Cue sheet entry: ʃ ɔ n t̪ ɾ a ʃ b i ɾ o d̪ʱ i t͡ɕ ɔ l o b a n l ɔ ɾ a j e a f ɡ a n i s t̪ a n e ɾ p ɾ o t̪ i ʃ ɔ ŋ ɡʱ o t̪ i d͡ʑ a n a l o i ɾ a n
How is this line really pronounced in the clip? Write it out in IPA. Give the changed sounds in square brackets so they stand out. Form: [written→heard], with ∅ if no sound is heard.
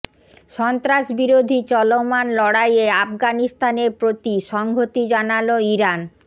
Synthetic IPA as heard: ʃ ɔ n t̪ ɾ a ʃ b i ɾ o d̪ʱ i t͡ɕ ɔ l o [b→m] a n l ɔ [ɾ→ɽ] a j e a f ɡ a n i s t̪ a n e ɾ p ɾ o t̪ i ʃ ɔ ŋ ɡʱ o t̪ i d͡ʑ a n a l o i ɾ a n